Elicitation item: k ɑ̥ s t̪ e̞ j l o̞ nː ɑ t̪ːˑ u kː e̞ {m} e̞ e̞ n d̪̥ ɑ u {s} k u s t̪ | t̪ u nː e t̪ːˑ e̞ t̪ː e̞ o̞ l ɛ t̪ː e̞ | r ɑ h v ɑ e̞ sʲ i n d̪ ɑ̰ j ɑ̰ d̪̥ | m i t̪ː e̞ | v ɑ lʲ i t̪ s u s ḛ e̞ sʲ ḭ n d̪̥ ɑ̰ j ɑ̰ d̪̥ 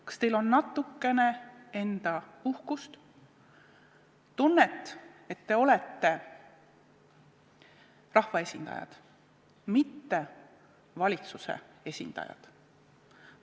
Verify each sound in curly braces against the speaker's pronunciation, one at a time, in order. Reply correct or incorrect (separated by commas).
incorrect, incorrect